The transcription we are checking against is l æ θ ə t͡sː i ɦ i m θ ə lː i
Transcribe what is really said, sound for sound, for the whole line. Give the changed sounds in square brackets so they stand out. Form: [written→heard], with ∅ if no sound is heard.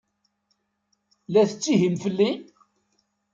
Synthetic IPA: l æ θ ə t͡sː i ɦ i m [θ→f] ə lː i